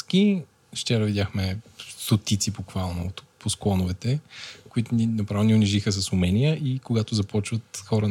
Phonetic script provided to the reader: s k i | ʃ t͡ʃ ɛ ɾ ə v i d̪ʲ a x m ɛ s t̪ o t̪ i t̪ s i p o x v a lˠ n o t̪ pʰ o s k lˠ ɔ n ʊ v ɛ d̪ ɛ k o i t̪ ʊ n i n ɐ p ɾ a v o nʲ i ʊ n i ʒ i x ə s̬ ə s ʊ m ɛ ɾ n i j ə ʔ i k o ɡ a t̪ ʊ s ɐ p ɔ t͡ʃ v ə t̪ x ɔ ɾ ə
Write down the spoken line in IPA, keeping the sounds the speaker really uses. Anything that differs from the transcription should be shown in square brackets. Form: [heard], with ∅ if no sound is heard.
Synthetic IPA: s k i | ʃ t͡ʃ ɛ ɾ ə v i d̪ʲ a x m ɛ s t̪ o t̪ i t̪ s i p o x v a lˠ n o t̪ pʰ o s k lˠ ɔ n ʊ v ɛ [t̪] ɛ k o i t̪ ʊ n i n ɐ p ɾ a v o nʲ i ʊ n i ʒ i x ə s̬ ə s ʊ m ɛ [∅] n i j ə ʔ i k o ɡ a t̪ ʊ [z] ɐ p ɔ t͡ʃ v ə t̪ x ɔ ɾ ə